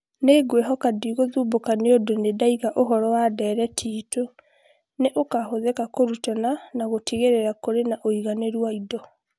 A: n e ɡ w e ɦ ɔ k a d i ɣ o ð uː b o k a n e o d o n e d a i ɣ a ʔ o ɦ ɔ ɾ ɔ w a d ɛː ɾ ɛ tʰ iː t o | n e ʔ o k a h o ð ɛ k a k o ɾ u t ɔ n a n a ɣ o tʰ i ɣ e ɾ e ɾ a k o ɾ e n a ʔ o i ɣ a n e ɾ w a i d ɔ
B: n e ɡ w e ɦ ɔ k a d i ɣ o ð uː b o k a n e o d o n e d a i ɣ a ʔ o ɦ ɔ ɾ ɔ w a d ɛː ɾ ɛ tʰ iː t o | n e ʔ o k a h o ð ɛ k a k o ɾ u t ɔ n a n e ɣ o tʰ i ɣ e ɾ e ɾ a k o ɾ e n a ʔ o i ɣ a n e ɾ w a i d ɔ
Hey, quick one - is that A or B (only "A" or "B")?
A